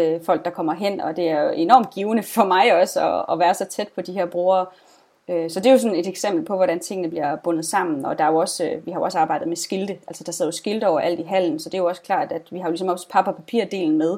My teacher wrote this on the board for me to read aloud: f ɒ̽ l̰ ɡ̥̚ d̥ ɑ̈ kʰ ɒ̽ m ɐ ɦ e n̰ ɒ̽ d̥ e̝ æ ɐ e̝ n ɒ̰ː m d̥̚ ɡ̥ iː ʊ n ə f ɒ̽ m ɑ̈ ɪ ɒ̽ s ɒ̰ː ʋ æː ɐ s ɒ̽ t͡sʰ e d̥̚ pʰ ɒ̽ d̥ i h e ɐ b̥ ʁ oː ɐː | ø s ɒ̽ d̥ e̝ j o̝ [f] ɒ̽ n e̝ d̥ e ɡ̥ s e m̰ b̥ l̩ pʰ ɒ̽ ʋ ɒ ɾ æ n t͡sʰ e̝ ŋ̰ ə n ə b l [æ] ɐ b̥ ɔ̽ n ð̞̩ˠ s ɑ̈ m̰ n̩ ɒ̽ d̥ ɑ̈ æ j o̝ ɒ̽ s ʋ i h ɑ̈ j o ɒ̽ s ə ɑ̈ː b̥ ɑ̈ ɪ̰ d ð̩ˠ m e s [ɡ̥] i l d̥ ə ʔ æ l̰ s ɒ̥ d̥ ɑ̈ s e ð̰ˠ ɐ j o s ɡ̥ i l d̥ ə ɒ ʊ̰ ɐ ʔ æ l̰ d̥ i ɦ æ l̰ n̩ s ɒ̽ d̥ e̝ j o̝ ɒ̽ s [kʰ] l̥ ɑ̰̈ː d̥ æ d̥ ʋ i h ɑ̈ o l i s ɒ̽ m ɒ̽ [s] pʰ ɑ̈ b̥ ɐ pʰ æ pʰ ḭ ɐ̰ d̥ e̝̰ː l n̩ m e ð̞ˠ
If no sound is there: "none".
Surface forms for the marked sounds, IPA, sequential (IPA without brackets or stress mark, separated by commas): s, i, ɡ̥, kʰ, s